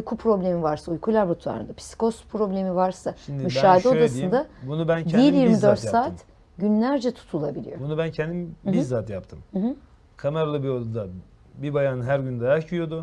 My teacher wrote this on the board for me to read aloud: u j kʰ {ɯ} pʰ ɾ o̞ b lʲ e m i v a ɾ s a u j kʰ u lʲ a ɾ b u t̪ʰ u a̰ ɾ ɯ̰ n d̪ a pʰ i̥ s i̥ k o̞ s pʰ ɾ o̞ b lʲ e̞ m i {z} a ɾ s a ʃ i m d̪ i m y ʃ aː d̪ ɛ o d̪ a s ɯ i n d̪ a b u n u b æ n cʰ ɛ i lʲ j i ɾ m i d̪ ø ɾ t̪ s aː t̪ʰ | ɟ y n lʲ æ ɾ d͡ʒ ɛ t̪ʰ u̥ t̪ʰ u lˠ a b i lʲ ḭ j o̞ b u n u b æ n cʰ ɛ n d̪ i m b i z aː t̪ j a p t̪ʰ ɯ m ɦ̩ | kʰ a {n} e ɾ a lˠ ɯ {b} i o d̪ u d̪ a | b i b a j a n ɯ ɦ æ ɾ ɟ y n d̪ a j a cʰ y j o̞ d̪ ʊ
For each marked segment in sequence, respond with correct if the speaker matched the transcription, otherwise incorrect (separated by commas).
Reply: incorrect, incorrect, incorrect, correct